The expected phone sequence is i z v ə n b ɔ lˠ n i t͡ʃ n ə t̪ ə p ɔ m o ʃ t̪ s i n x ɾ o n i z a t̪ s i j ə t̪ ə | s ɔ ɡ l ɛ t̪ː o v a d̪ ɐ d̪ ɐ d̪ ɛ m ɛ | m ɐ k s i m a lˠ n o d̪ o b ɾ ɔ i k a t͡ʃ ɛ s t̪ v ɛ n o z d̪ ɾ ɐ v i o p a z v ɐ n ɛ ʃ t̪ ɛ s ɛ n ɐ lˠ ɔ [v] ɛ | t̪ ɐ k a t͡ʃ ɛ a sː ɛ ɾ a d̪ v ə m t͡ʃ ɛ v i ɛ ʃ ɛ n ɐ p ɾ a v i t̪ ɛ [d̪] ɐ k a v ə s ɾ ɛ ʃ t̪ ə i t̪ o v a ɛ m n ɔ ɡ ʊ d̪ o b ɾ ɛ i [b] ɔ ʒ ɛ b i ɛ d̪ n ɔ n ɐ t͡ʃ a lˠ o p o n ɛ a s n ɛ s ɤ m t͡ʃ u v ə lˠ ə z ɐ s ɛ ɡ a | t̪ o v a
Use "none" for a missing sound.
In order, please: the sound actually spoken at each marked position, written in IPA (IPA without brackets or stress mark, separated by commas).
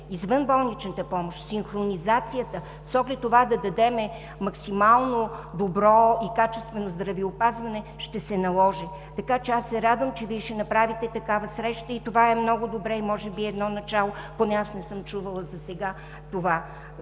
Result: ʒ, t̪, m